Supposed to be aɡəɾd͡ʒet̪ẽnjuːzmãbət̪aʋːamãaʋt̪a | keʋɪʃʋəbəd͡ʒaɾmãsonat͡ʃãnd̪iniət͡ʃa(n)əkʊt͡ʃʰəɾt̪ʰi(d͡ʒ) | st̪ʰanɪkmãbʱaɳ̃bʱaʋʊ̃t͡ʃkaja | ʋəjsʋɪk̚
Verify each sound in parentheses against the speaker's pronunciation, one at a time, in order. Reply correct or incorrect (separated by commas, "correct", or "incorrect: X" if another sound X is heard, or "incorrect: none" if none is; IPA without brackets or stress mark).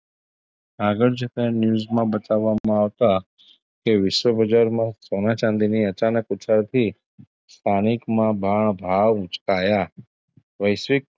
correct, incorrect: none